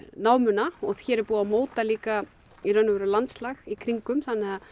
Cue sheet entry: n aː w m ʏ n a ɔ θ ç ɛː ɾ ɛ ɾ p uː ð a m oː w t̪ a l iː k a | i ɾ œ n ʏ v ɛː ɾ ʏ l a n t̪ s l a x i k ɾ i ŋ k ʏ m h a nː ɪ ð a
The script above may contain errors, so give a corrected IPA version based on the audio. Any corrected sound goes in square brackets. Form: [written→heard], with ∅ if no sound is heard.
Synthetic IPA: n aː w m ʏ n a ɔ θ ç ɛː ɾ ɛ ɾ p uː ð a m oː w t̪ a l iː k a | i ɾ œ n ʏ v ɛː ɾ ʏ l a n t̪ s l a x i [k→kʰ] ɾ i ŋ k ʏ m [h→θ] a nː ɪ [ð→ɣ] a

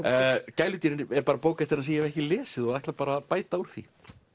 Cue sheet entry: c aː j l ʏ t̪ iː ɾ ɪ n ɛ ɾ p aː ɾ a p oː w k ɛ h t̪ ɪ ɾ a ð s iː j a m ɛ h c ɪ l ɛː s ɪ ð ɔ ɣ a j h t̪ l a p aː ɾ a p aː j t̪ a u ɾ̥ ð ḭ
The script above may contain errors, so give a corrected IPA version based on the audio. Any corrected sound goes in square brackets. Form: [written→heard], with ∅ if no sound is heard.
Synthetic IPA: c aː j l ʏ t̪ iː ɾ ɪ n ɛ ɾ p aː ɾ a p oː w k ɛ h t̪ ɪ ɾ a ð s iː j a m ɛ h c ɪ l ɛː s ɪ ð ɔ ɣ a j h t̪ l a p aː ɾ a p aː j t̪ a u ɾ̥ [ð→θ] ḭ

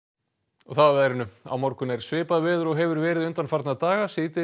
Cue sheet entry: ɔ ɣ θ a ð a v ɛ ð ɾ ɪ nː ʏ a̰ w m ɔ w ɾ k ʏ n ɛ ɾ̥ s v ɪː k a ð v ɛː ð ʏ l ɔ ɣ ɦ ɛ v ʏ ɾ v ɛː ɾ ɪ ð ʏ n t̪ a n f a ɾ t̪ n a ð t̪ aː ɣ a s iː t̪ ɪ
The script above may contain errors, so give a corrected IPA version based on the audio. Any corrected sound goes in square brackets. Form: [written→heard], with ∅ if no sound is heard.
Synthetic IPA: ɔ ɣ θ a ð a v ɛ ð ɾ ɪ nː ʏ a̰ w m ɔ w ɾ k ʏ n ɛ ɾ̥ s v ɪː [k→p] a ð v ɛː ð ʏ [l→ɾ] ɔ ɣ ɦ ɛ v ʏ ɾ v ɛː ɾ ɪ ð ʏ n t̪ a n f a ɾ t̪ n a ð t̪ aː ɣ a s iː t̪ ɪ

